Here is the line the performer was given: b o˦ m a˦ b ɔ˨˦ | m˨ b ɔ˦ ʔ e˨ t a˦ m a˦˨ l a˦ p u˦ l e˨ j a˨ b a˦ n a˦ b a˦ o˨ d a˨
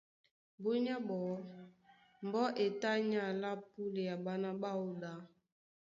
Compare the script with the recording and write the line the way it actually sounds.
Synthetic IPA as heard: b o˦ ɲ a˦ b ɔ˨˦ | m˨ b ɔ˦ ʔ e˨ t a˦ ɲ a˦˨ l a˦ p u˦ l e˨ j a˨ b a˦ n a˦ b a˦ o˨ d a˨